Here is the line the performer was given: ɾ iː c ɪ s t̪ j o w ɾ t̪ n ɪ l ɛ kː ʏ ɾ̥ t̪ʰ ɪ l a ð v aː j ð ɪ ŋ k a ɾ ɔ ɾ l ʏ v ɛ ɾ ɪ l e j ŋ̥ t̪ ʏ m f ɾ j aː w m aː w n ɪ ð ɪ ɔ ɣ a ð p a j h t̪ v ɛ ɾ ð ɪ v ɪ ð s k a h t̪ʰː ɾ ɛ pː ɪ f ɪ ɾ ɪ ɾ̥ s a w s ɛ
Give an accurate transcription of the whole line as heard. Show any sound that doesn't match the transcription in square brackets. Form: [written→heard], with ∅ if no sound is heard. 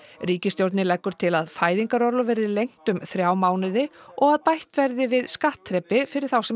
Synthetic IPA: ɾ iː c ɪ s t̪ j o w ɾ t̪ n ɪ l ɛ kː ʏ ɾ̥ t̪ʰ ɪ l a ð [v→f] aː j ð [ɪ→i] ŋ k a ɾ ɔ ɾ l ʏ v ɛ ɾ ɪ l e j ŋ̥ t̪ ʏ m [f→θ] ɾ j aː w m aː w n ɪ ð ɪ ɔ ɣ a ð p a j h t̪ v ɛ ɾ ð ɪ v ɪ ð s k a h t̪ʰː ɾ ɛ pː ɪ f ɪ ɾ ɪ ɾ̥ [s→θ] a w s ɛ

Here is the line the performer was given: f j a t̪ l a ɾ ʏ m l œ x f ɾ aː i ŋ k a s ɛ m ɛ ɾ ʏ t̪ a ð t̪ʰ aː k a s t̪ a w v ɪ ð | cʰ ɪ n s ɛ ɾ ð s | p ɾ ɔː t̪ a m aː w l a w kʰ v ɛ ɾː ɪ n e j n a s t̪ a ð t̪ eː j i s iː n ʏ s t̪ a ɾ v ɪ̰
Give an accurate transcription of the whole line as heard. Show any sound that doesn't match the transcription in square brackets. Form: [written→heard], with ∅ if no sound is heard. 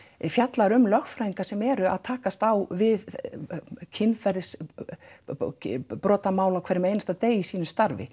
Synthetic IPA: f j a t̪ l a ɾ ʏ m l œ x f ɾ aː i ŋ k a s ɛ m ɛ ɾ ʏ [t̪→∅] a ð t̪ʰ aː k a s t̪ a w v ɪ ð | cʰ ɪ n [s→f] ɛ ɾ ð s | p ɾ ɔː t̪ a m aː w l a w kʰ v ɛ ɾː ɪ [n→m] e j n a s t̪ a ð t̪ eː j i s iː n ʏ s t̪ a ɾ v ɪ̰

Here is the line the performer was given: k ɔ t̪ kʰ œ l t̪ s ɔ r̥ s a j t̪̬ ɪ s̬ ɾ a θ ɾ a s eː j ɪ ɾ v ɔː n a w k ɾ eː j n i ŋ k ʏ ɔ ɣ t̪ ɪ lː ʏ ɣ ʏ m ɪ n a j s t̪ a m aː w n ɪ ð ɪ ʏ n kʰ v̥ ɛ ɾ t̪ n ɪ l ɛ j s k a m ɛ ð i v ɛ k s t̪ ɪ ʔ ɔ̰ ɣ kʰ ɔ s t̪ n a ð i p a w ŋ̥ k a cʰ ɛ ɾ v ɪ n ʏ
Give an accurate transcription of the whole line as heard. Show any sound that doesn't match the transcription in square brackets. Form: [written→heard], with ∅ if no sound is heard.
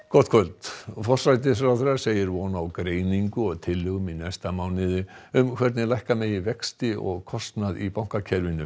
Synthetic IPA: k ɔ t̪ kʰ œ l t̪ [s→f] ɔ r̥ s a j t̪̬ ɪ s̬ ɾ a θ ɾ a s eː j ɪ ɾ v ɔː n a w k ɾ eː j n i ŋ k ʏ ɔ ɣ [t̪→t̪ʰ] ɪ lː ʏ ɣ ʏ m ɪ n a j s t̪ a m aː w n ɪ ð ɪ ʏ [n→m] kʰ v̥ ɛ ɾ t̪ n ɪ l [ɛ→a] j [s→h] k a m ɛ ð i v ɛ k s t̪ ɪ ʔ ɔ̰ ɣ kʰ ɔ s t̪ n a ð i p a w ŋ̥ k a cʰ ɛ ɾ v ɪ n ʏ

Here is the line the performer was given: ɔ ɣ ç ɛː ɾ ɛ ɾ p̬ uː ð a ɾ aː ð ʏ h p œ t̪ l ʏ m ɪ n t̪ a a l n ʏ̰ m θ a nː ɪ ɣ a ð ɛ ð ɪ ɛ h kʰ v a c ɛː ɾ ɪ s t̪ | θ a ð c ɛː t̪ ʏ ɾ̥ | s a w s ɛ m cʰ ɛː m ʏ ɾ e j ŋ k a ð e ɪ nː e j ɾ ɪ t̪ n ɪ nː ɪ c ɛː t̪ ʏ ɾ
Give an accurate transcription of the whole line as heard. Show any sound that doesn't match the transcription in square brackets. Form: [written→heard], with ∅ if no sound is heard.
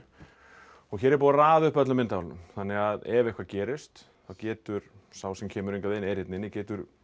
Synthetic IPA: ɔ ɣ ç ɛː ɾ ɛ ɾ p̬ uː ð a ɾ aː ð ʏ h p œ t̪ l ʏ m ɪ n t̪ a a l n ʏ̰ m θ a nː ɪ ɣ a ð ɛ [ð→v] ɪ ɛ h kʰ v a c ɛː ɾ ɪ s t̪ | θ a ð c ɛː t̪ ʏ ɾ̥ | s a w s ɛ m cʰ ɛː m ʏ ɾ e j ŋ k a ð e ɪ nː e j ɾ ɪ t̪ n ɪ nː ɪ c ɛː t̪ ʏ ɾ

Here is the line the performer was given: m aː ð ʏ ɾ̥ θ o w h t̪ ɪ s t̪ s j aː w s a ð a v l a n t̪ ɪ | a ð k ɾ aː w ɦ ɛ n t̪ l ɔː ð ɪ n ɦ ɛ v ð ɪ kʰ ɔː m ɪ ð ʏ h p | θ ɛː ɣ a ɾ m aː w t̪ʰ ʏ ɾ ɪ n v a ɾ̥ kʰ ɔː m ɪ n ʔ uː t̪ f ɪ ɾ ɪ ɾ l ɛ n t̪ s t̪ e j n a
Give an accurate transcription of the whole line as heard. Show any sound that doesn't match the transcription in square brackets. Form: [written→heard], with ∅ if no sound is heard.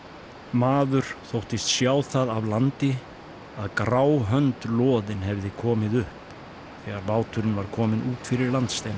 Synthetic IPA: m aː ð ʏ ɾ̥ θ o w h t̪ ɪ s t̪ s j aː w [s→θ] a ð a v l a n t̪ ɪ | a ð k ɾ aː w ɦ [ɛ→œ] n t̪ l ɔː ð ɪ n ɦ ɛ v ð ɪ kʰ ɔː m ɪ ð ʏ h p | θ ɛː ɣ a ɾ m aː w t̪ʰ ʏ ɾ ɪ n v a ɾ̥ kʰ ɔː m ɪ n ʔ uː t̪ f ɪ ɾ ɪ ɾ l [ɛ→a] n t̪ s t̪ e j n a

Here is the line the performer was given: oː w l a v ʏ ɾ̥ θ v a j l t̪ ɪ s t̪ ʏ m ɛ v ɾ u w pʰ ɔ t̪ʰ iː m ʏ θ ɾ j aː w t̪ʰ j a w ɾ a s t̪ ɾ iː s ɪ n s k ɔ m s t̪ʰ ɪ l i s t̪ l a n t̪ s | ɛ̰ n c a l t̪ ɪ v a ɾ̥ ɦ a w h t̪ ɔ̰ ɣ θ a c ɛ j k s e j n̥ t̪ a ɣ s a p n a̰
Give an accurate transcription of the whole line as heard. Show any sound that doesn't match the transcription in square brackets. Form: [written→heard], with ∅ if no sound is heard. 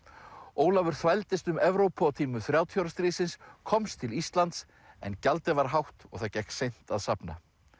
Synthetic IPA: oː w l a v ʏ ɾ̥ θ v a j l t̪ ɪ s t̪ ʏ m ɛ v ɾ [u→o] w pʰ ɔ t̪ʰ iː m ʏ θ ɾ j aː w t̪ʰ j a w ɾ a s t̪ ɾ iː s ɪ n s [k→kʰ] ɔ m s t̪ʰ ɪ l i s t̪ l a n t̪ s | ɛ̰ n c a l t̪ ɪ v a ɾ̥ ɦ a w h t̪ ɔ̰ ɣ θ a c ɛ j k s e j n̥ t̪ a [ɣ→ð] s a p n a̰

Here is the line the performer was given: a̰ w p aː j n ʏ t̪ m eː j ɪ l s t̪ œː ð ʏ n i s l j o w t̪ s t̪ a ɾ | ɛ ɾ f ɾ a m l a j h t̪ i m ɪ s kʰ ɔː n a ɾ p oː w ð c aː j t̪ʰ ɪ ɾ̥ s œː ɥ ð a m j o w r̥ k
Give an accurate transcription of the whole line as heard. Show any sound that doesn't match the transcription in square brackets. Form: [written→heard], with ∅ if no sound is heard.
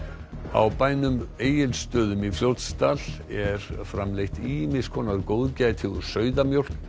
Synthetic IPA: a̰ w p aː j n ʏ [t̪→∅] m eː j ɪ l s t̪ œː ð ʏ [n→m] i [s→f] l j o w t̪ s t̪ a [ɾ→l] | ɛ ɾ f ɾ a m l [a→e] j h t̪ i m ɪ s kʰ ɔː n a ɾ [p→k] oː w ð c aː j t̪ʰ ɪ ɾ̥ s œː ɥ ð a m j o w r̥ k

